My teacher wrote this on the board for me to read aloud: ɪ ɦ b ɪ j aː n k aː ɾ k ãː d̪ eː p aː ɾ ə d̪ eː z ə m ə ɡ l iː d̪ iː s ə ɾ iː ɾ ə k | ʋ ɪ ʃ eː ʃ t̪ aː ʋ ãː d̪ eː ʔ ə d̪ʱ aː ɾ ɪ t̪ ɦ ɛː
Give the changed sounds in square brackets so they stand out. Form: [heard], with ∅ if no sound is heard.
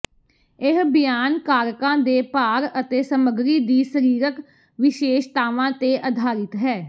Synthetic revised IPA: ɪ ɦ b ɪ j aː n k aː ɾ k ãː d̪ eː p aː ɾ ə [t̪] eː [s] ə m ə ɡ [ɾ] iː d̪ iː s ə ɾ iː ɾ ə k | ʋ ɪ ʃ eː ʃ t̪ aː ʋ ãː [t̪] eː ʔ ə d̪ʱ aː ɾ ɪ t̪ ɦ ɛː